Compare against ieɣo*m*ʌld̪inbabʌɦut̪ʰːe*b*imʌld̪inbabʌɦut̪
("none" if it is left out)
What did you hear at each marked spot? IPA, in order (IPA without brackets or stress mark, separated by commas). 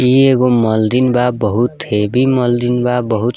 m, b